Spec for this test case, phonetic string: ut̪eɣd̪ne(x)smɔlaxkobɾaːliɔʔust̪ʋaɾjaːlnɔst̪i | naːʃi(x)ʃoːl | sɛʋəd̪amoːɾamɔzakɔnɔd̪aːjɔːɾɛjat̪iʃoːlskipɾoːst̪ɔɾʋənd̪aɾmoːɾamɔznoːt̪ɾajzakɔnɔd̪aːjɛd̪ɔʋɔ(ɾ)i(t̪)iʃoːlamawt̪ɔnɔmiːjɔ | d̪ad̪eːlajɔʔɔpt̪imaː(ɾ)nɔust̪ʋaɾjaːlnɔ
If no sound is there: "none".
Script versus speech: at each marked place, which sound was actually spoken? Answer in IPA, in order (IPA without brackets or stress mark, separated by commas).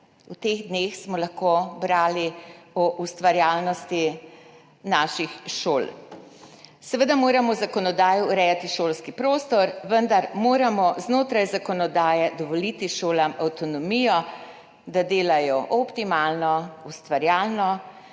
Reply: x, x, l, t̪, l